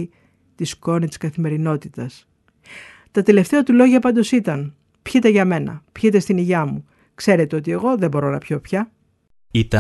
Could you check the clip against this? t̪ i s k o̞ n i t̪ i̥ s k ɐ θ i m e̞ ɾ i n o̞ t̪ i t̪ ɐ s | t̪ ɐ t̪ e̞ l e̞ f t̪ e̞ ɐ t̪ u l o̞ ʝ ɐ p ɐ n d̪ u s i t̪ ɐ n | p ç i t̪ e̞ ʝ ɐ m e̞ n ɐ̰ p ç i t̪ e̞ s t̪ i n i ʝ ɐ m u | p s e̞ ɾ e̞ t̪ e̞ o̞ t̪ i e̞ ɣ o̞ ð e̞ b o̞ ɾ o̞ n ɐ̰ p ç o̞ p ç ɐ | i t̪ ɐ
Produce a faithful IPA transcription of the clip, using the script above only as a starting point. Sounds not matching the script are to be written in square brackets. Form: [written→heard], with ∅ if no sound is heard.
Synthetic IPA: t̪ i s k o̞ n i t̪ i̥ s k ɐ θ i m e̞ ɾ i n o̞ t̪ i t̪ ɐ s | t̪ ɐ t̪ e̞ l e̞ f t̪ e̞ ɐ t̪ u l o̞ ʝ ɐ p ɐ n d̪ [u→o] s i t̪ ɐ n | p ç i t̪ e̞ ʝ ɐ m e̞ n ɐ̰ p ç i t̪ e̞ s t̪ i n i ʝ ɐ m u | [p→k] s e̞ ɾ e̞ t̪ e̞ o̞ t̪ i e̞ ɣ o̞ ð e̞ b o̞ ɾ o̞ n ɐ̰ p ç o̞ p ç ɐ | i t̪ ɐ